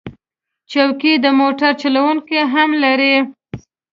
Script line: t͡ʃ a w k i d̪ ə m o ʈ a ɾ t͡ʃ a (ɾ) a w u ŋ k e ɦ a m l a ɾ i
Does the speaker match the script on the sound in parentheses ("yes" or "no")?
no